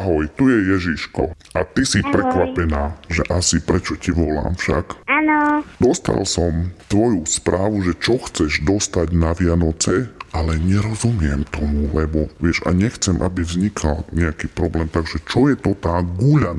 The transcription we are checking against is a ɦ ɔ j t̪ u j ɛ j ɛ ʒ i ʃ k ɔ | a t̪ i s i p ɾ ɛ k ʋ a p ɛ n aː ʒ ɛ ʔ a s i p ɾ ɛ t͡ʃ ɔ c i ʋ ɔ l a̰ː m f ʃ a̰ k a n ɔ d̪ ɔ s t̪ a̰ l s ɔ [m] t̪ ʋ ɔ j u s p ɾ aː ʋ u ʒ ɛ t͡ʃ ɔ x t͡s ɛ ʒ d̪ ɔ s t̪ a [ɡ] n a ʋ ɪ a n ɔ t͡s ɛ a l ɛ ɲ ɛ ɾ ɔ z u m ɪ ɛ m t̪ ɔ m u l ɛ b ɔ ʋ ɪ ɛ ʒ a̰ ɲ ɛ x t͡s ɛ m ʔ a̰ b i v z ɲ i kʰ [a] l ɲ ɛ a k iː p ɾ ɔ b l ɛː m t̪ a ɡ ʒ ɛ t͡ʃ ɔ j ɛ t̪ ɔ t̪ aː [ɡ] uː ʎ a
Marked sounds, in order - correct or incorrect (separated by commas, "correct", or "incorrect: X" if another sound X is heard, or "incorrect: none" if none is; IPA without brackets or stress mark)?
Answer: correct, incorrect: ɟ, correct, correct